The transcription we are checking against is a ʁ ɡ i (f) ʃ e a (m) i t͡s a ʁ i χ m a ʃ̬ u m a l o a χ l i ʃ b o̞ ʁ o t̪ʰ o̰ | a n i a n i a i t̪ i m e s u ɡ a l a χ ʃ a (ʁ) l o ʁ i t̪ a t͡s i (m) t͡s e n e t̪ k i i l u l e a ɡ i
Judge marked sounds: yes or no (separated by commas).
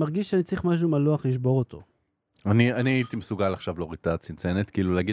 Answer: no, no, no, no